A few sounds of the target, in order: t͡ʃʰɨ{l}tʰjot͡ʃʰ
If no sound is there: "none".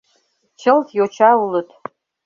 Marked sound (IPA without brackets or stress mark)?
l